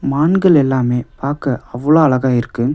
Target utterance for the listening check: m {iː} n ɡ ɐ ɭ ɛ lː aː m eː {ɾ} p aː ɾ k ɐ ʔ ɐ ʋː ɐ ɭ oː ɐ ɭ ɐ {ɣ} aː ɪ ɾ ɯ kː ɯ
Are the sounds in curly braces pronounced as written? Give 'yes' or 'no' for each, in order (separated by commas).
no, no, yes